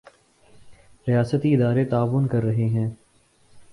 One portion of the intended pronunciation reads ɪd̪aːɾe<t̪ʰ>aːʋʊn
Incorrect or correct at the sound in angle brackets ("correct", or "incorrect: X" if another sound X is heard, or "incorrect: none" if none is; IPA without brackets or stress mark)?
incorrect: t̪